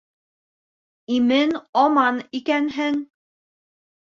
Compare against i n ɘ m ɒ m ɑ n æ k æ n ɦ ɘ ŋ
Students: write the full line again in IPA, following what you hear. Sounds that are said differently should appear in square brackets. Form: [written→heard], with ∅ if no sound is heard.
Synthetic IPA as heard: i [n→m] ɘ [m→n] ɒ m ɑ n [æ→i] k æ n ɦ ɘ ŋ